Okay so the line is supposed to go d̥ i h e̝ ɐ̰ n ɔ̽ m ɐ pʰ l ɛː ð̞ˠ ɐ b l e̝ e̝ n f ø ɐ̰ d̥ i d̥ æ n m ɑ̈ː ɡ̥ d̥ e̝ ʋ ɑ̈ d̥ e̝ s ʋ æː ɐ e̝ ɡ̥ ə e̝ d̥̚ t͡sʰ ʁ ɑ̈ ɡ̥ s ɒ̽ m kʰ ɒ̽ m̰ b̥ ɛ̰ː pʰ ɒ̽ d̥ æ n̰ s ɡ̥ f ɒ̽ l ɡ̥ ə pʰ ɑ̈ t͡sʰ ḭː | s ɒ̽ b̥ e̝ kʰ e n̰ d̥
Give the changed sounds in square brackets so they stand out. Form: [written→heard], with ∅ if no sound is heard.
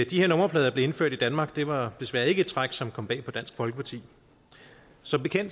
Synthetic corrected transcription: d̥ i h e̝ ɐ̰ n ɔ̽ m ɐ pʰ l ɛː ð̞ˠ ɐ b l e̝ e̝ n f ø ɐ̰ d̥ i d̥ æ n m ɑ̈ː ɡ̥ d̥ e̝ ʋ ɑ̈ d̥ e̝ s ʋ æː ɐ e̝ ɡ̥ ə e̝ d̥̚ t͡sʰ ʁ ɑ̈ ɡ̥ s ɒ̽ m kʰ ɒ̽ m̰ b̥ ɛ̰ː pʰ ɒ̽ d̥ æ n̰ s ɡ̥ f ɒ̽ l ɡ̥ ə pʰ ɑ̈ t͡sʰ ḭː | s ɒ̽ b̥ e̝ kʰ e n̰ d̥